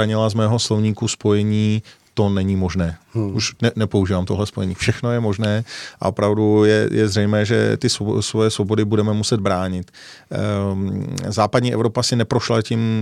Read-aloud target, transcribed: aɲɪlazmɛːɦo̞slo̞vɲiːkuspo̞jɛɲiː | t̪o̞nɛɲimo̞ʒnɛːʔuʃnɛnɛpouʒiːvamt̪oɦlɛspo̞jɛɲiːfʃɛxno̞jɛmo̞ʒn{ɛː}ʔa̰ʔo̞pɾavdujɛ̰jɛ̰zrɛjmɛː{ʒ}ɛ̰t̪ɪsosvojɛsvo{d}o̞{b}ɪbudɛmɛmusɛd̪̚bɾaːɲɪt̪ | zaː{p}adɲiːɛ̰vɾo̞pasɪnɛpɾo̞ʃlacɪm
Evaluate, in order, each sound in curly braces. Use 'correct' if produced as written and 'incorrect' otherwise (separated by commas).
correct, correct, incorrect, incorrect, correct